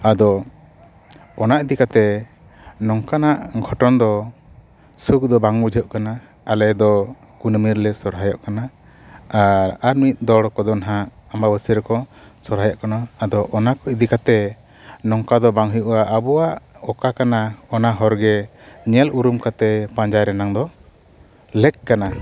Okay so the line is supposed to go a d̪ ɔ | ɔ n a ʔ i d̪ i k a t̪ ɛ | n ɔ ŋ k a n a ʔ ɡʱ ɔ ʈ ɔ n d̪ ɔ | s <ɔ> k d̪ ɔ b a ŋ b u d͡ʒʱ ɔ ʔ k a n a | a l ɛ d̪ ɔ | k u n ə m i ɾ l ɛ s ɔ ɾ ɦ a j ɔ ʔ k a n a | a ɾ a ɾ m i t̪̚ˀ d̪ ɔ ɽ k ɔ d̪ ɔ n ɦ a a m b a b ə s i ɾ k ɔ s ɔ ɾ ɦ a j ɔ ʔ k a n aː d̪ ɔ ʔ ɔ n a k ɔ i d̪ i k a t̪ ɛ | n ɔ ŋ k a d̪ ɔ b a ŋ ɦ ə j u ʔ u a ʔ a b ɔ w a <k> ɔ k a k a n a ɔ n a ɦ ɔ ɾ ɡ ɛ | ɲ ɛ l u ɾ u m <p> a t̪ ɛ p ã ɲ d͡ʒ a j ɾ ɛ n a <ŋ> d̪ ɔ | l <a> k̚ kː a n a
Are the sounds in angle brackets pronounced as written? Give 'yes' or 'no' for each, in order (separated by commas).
no, no, no, yes, no